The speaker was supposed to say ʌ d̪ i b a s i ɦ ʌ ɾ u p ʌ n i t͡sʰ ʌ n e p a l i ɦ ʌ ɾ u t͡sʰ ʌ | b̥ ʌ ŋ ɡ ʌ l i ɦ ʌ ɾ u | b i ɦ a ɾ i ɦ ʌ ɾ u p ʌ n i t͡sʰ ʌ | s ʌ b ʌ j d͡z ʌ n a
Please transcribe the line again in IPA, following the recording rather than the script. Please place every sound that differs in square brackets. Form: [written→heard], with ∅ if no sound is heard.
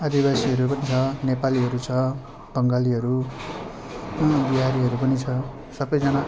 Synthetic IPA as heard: ʌ d̪ i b a s i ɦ ʌ ɾ u p ʌ n i t͡sʰ ʌ n e p a l i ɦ ʌ ɾ u t͡sʰ ʌ | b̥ ʌ ŋ ɡ [ʌ→a] l i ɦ ʌ ɾ u | b i ɦ a ɾ i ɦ ʌ ɾ u p ʌ n i t͡sʰ ʌ | s ʌ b ʌ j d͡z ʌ n a

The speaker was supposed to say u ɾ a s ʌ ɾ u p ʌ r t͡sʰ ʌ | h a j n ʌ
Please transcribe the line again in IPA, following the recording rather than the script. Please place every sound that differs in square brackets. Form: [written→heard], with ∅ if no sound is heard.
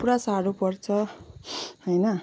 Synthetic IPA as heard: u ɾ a s [ʌ→a] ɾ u p ʌ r t͡sʰ ʌ | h [a→ʌ] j n ʌ

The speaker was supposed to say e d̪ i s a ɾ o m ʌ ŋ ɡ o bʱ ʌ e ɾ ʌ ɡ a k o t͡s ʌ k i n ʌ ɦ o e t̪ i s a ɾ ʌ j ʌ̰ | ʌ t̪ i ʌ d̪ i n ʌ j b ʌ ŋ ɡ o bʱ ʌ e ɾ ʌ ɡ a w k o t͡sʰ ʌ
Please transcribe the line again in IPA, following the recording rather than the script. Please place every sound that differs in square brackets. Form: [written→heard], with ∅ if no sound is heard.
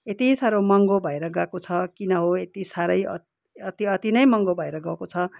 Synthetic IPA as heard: e [d̪→t̪] i s a ɾ o m ʌ ŋ ɡ o bʱ ʌ e ɾ ʌ ɡ a k o [t͡s→t͡sʰ] ʌ k i n ʌ ɦ o e t̪ i s a ɾ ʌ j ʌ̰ | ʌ t̪ i ʌ [d̪→t̪] i n ʌ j [b→m] ʌ ŋ ɡ o bʱ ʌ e ɾ ʌ ɡ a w k o t͡sʰ ʌ

